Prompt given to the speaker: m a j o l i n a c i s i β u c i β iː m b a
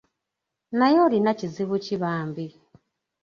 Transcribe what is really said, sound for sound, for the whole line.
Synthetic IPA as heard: n a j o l i n a c i z i β u c i β aː m b i